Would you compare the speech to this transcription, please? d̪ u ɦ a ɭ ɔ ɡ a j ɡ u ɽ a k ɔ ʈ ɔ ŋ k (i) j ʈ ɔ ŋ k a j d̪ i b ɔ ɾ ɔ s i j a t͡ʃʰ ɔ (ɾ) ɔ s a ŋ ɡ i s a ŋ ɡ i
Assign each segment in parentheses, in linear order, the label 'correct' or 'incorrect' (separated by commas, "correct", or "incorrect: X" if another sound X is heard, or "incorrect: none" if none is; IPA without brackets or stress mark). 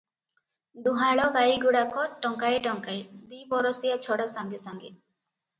incorrect: a, incorrect: ɽ